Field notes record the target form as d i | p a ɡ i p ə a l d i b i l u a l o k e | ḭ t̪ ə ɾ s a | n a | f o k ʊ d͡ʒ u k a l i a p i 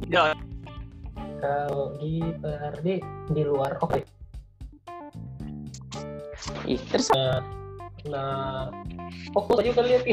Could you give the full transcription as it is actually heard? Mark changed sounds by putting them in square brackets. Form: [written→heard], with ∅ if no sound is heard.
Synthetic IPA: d [i→a] | [p→k] a ɡ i p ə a [l→r] d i [b→d] i l u a [l→r] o k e | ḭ t̪ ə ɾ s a | n a | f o k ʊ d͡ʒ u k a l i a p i